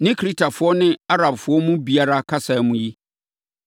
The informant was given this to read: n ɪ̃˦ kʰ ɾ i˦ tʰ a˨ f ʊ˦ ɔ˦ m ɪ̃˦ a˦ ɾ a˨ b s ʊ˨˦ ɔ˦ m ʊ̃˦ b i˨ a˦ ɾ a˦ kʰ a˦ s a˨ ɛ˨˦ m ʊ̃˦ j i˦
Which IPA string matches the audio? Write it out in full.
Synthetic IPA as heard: n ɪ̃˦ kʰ ɾ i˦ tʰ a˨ f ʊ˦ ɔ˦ n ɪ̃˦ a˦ ɾ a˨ b f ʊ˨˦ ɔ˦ m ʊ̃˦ b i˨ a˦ ɾ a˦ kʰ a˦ s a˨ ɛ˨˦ m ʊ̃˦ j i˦